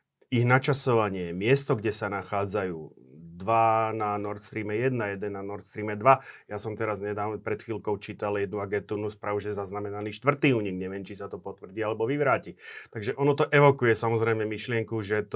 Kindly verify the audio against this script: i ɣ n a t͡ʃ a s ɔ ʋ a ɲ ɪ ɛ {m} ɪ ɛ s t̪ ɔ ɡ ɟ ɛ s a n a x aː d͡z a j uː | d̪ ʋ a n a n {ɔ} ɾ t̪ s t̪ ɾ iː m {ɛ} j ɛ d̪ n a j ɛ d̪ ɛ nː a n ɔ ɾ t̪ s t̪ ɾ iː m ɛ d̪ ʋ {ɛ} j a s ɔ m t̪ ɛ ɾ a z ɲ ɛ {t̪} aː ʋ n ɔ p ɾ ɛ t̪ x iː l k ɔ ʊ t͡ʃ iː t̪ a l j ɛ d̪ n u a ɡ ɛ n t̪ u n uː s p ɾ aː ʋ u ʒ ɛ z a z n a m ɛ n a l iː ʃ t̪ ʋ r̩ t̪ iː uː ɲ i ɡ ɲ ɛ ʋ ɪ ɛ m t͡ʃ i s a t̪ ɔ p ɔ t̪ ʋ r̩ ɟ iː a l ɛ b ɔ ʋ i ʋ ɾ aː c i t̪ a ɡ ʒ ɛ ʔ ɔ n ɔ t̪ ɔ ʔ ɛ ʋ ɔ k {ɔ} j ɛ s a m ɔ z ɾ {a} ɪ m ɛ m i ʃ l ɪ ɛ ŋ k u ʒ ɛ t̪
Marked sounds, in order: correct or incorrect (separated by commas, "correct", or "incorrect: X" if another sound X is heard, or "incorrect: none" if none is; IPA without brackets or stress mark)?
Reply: correct, correct, correct, incorrect: a, incorrect: d̪, incorrect: u, incorrect: ɛ